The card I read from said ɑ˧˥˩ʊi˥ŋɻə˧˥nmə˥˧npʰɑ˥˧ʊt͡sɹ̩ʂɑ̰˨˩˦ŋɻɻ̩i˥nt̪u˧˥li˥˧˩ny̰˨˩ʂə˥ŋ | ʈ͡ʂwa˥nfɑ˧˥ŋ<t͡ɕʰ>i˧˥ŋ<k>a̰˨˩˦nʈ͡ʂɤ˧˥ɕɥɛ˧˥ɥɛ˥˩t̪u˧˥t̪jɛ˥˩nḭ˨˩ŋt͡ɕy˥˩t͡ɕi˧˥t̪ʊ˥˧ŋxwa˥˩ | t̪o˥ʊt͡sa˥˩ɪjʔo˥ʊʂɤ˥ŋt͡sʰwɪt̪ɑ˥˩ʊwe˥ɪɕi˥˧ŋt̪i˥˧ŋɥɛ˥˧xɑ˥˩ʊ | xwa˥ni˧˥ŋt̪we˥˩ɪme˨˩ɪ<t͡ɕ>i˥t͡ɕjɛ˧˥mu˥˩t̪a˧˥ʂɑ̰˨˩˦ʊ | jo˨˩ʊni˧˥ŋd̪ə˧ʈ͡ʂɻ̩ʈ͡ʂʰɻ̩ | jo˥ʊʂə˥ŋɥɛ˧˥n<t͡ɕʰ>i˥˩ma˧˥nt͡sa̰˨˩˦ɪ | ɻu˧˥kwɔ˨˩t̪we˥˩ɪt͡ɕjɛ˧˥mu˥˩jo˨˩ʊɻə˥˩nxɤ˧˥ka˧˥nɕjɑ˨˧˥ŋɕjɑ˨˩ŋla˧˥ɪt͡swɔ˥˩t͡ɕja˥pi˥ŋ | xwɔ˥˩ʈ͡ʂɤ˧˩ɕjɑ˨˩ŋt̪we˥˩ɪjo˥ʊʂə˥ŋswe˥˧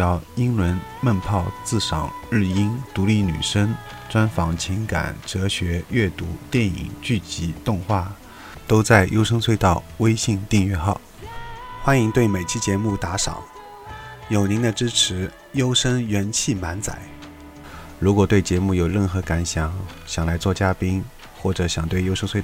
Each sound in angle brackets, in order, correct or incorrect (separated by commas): correct, correct, incorrect, correct